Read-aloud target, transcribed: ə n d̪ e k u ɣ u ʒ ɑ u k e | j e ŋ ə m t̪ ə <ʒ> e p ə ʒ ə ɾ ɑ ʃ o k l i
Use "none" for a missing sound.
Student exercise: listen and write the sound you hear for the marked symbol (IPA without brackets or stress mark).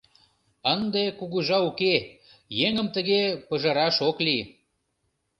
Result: ɣ